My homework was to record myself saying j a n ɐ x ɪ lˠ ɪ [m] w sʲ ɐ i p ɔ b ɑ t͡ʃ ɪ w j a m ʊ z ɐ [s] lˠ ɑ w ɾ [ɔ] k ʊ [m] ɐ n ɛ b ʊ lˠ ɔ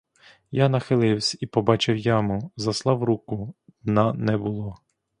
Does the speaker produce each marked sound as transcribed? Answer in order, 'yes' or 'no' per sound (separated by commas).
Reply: no, yes, no, no